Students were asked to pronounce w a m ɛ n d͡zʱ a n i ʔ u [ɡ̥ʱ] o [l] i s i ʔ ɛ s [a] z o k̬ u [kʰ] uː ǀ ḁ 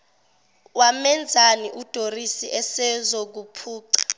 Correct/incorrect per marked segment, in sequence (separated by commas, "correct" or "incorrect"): incorrect, incorrect, incorrect, incorrect